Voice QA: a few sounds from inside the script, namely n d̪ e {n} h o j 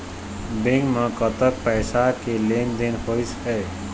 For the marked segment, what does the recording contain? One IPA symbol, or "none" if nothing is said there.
n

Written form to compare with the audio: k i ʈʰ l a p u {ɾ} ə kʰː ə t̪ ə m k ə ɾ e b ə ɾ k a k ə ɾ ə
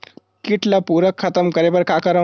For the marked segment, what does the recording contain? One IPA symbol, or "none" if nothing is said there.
ɾ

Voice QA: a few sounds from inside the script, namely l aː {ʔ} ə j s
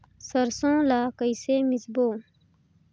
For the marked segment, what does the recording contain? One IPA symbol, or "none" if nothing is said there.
k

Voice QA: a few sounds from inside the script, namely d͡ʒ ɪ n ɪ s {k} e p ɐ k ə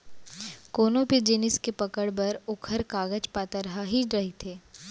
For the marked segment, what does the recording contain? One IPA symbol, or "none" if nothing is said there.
k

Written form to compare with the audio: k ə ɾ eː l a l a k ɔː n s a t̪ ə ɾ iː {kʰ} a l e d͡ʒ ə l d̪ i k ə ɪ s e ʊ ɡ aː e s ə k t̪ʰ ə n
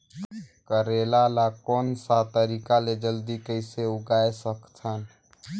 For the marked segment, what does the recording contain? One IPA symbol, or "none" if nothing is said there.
k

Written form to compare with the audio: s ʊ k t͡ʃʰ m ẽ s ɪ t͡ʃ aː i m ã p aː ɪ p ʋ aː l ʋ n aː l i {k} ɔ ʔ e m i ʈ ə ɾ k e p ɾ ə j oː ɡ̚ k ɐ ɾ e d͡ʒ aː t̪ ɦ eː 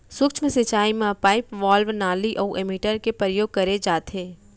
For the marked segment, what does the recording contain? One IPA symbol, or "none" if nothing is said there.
ʔ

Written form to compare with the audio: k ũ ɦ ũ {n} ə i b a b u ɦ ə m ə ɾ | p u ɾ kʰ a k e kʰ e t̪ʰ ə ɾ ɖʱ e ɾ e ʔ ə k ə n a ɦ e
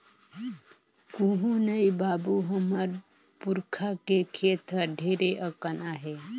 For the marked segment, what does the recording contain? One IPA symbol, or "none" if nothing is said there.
n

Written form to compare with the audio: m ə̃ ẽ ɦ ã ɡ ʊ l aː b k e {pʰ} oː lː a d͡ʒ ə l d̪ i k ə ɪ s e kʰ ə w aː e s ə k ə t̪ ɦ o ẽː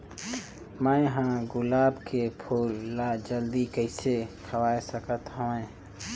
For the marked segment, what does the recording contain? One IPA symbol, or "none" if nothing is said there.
pʰ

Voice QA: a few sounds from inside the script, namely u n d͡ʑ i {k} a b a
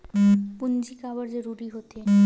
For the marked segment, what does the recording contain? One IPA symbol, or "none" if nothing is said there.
k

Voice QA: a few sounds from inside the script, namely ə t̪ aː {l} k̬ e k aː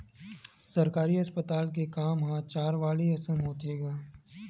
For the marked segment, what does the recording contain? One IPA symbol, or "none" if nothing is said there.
l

